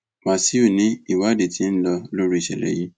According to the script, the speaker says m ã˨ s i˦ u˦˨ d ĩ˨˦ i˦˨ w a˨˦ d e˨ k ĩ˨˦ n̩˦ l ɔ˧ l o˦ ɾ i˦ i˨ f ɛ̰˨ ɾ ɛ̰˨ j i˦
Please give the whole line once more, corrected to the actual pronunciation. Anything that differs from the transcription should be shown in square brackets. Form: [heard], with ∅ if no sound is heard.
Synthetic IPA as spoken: m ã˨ s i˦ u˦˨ [n] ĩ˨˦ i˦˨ w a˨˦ d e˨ [t] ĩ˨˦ n̩˦ l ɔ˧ l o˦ ɾ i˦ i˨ [ʃ] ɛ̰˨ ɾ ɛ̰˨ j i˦

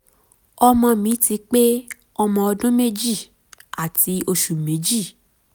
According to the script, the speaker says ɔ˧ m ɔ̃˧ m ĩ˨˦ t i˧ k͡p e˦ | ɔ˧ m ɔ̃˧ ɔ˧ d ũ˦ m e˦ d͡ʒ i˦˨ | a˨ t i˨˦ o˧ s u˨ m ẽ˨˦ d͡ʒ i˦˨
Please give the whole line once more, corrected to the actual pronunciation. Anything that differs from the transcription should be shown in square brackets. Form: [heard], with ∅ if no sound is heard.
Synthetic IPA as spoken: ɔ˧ m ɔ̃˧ m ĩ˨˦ t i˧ k͡p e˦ | ɔ˧ m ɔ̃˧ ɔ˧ d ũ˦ m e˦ d͡ʒ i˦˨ | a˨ t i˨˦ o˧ [ʃ] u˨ m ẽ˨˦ d͡ʒ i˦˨

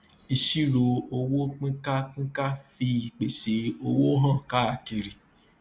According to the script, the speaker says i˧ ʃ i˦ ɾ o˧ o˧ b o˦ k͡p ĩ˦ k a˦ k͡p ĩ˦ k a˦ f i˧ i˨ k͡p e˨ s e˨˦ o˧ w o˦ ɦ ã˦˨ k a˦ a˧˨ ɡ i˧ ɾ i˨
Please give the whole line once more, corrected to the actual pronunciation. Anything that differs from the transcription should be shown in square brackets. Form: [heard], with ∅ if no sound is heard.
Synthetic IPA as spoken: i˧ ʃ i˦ ɾ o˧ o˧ [w] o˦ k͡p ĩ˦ k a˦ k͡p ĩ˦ k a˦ f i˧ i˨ k͡p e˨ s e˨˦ o˧ w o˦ ɦ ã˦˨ k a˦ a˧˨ [k] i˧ ɾ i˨

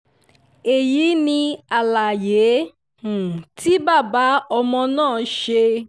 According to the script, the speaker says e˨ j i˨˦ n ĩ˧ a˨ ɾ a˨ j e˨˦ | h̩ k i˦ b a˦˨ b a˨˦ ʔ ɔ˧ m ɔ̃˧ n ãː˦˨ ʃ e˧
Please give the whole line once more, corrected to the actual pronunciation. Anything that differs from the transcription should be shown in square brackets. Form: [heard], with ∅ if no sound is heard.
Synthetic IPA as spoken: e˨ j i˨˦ n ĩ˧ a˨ [l] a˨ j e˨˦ | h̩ [t] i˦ b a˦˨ b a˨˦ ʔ ɔ˧ m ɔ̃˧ n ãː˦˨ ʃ e˧

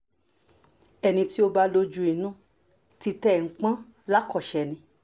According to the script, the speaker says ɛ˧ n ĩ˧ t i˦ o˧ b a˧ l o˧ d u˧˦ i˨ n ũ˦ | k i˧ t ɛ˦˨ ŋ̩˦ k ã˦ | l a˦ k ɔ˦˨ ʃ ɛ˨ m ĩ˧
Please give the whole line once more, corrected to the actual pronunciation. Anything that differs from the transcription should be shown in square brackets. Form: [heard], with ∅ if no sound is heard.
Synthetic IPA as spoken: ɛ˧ n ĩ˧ t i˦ o˧ b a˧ l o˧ [d͡ʒ] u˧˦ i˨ n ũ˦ | [t] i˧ t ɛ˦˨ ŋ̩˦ [k͡p] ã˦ | l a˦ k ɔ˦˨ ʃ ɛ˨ [n] ĩ˧

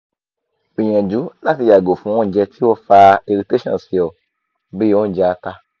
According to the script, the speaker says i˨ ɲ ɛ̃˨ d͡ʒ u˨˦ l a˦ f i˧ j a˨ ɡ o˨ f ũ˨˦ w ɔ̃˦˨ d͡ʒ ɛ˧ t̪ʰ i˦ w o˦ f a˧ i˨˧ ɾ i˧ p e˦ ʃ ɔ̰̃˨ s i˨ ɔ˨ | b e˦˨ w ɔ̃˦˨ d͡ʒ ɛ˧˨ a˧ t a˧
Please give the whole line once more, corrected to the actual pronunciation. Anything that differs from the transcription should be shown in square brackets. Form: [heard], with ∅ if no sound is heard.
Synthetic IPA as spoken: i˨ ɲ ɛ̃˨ d͡ʒ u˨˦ l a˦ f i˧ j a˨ ɡ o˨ f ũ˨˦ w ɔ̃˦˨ d͡ʒ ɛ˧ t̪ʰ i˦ w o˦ f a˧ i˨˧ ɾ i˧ [t] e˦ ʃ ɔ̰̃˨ s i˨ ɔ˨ | b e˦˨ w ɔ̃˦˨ d͡ʒ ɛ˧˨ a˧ t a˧

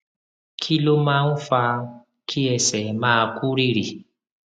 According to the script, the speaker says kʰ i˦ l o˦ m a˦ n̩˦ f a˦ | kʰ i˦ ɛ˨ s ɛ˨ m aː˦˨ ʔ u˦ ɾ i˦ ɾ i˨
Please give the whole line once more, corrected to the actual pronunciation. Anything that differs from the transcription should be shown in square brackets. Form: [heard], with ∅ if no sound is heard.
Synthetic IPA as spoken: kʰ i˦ l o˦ m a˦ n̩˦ f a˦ | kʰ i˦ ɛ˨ s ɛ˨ m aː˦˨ [k] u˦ ɾ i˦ ɾ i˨

